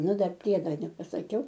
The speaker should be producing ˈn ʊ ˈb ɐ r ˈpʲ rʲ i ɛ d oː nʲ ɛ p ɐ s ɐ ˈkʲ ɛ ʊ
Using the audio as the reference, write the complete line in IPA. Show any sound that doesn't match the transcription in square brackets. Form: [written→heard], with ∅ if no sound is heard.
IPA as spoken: ˈn ʊ [ˈb→ˈd] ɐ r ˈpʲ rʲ i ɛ d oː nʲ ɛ p ɐ s ɐ ˈkʲ ɛ ʊ

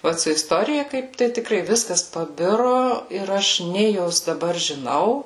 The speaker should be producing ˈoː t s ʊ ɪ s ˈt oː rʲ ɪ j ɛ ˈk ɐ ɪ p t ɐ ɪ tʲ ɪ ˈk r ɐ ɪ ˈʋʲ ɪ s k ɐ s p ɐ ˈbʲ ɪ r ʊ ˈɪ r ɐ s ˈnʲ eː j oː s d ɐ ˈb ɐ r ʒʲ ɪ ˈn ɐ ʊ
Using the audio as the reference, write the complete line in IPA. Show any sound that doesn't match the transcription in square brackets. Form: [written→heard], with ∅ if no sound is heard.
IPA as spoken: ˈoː t s ʊ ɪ s ˈt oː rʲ ɪ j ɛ ˈk ɐ ɪ p t ɐ ɪ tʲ ɪ ˈk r ɐ ɪ ˈʋʲ ɪ s k ɐ s p ɐ ˈbʲ ɪ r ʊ ˈɪ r ɐ [s→ʃ] ˈnʲ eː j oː s d ɐ ˈb ɐ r ʒʲ ɪ ˈn ɐ ʊ

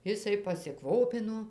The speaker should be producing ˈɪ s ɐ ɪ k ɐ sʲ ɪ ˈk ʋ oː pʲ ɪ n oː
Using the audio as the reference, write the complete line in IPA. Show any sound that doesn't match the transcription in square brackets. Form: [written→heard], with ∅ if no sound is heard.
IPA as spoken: ˈɪ s ɐ ɪ [k→p] ɐ sʲ ɪ ˈk ʋ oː pʲ ɪ n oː

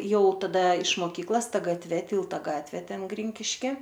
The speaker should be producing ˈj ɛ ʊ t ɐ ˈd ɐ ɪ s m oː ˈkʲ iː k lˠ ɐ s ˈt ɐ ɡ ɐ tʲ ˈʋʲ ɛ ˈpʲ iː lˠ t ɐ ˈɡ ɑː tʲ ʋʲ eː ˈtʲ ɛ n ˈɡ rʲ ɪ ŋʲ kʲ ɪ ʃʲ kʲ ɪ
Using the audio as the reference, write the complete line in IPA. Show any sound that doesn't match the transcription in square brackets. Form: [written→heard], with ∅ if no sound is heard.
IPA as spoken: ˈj ɛ ʊ t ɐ ˈd ɐ ɪ [s→ʃ] m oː ˈkʲ iː k lˠ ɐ s ˈt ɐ ɡ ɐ tʲ ˈʋʲ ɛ [ˈpʲ→ˈtʲ] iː lˠ t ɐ ˈɡ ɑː tʲ ʋʲ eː ˈtʲ ɛ n ˈɡ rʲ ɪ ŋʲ kʲ ɪ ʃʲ kʲ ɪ

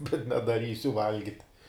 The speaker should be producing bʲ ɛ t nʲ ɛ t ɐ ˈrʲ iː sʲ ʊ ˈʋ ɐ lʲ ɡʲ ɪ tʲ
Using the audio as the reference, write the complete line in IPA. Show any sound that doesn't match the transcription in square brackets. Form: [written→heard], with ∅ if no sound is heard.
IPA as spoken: bʲ ɛ t nʲ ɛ [t→d] ɐ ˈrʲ iː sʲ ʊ ˈʋ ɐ lʲ ɡʲ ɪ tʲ

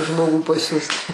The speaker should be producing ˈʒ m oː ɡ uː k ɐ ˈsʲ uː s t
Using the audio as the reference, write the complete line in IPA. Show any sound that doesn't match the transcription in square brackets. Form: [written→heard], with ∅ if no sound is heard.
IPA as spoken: ˈʒ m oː ɡ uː [k→p] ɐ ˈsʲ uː s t

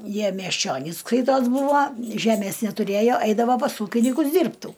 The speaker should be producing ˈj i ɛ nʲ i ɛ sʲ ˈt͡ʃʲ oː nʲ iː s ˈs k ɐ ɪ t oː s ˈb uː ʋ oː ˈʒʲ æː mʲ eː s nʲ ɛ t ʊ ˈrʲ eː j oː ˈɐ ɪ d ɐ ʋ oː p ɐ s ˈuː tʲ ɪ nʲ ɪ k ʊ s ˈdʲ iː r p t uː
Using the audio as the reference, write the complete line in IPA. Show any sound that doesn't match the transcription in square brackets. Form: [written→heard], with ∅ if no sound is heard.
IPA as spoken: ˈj i ɛ [nʲ→mʲ] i ɛ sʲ ˈt͡ʃʲ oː nʲ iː s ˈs k ɐ ɪ t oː s ˈb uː ʋ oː ˈʒʲ æː mʲ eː s nʲ ɛ t ʊ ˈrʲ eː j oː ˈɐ ɪ d ɐ ʋ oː p ɐ s ˈuː [tʲ→kʲ] ɪ nʲ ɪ k ʊ s ˈdʲ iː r p t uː

